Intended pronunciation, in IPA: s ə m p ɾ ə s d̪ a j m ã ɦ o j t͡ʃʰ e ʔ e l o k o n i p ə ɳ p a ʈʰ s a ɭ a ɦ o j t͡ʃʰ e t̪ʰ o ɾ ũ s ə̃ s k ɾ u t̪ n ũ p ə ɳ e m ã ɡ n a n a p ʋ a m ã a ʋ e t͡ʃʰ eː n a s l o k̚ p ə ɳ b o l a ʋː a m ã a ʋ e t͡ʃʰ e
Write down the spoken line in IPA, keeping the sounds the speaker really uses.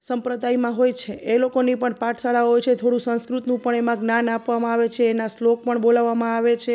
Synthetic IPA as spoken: s ə m p ɾ ə d̪ a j m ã ɦ o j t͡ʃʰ e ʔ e l o k o n i p ə ɳ p a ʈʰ s a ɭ a ɦ o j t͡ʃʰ e t̪ʰ o ɽ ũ s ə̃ s k ɾ u t̪ n ũ p ə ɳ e m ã ɡ n a n a p ʋ a m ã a ʋ e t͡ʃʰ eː n a s l o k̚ p ə ɳ b o l a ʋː a m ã a ʋ e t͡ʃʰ e